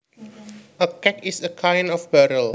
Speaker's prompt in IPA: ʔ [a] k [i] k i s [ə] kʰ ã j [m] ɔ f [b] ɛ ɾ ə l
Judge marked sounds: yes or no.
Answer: no, no, yes, no, yes

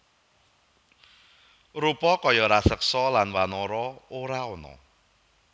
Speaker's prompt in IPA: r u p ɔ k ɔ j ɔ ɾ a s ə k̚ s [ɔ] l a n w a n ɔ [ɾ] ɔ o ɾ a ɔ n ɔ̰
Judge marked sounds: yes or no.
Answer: yes, yes

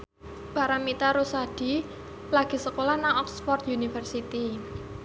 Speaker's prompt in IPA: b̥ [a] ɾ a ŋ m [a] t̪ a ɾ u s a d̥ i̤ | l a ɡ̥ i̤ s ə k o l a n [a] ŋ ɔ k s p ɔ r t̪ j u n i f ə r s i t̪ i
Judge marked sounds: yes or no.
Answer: yes, no, yes

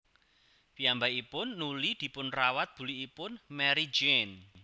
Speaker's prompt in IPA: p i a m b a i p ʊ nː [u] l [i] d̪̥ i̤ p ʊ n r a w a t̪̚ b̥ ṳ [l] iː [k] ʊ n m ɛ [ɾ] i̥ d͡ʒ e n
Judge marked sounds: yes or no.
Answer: yes, yes, yes, no, yes

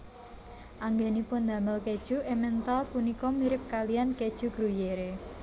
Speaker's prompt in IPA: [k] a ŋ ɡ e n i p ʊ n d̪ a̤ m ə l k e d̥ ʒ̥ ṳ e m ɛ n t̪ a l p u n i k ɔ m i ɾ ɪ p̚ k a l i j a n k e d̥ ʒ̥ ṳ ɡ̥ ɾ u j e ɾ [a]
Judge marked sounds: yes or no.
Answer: no, no

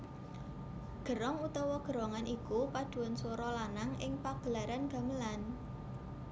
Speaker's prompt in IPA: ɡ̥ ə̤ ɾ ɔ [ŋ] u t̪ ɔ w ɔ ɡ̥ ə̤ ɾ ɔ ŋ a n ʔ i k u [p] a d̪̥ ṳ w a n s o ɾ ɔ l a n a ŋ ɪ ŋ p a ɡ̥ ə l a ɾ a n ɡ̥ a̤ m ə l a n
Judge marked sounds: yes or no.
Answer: yes, yes

